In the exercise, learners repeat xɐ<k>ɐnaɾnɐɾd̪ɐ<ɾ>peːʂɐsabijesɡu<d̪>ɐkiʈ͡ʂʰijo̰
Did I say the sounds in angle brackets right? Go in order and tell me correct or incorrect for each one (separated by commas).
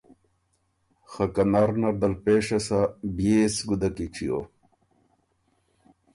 correct, incorrect, correct